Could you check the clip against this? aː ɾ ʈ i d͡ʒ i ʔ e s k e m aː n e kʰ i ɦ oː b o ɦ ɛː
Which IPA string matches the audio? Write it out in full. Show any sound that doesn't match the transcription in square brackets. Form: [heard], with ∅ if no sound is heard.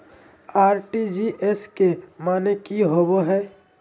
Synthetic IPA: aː ɾ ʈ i d͡ʒ i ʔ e s k e m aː n e [k] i ɦ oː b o ɦ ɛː